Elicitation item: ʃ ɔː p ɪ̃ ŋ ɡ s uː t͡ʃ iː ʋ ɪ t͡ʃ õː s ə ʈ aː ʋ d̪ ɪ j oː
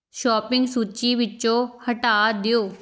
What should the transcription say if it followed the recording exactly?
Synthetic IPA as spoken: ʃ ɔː p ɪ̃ ŋ ɡ s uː t͡ʃ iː ʋ ɪ t͡ʃ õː h ə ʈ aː d̪ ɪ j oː